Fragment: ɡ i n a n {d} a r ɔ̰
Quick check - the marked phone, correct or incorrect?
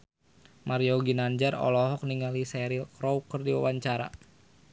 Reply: incorrect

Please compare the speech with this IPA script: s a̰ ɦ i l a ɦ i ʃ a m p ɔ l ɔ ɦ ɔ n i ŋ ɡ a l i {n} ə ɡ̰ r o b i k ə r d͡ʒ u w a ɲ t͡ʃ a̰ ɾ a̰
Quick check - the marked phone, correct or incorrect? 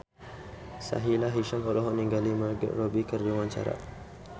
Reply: incorrect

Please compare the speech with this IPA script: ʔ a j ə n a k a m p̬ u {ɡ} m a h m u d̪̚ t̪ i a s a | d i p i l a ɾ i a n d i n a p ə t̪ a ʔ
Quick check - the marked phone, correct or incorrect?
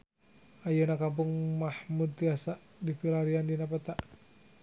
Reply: incorrect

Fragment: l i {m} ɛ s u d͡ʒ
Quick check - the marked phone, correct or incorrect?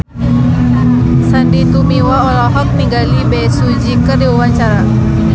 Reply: incorrect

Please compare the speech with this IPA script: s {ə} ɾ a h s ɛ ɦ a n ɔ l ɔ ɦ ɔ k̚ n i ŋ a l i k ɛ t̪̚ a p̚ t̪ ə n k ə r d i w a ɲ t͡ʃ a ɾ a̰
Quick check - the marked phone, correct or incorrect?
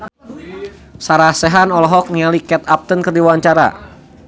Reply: incorrect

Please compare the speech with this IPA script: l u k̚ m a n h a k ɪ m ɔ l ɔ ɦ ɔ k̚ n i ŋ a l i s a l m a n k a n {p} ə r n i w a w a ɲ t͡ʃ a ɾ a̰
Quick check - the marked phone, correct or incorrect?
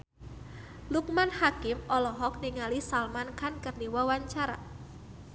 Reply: incorrect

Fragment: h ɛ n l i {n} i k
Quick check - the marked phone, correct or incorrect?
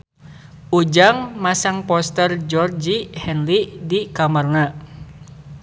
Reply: incorrect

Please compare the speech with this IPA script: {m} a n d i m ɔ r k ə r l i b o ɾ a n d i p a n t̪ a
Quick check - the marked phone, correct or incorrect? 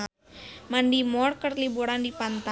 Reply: correct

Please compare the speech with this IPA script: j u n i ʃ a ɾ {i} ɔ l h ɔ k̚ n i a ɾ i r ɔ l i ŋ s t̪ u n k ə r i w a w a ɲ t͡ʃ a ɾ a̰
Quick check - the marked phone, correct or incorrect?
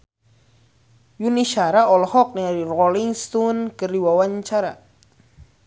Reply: incorrect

